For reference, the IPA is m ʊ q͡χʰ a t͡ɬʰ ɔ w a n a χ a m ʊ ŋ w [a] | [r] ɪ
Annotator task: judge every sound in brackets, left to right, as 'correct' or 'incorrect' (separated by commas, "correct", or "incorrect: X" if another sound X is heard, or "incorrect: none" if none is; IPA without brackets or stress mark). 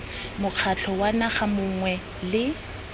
incorrect: ɛ, incorrect: l